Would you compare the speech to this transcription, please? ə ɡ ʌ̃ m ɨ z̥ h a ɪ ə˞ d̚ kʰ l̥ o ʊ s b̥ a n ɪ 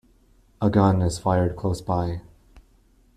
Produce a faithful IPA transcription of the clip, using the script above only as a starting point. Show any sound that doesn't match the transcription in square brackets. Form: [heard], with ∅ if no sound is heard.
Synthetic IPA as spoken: ə ɡ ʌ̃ [n] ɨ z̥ [f] a ɪ ə˞ d̚ kʰ l̥ o ʊ s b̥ a [∅] ɪ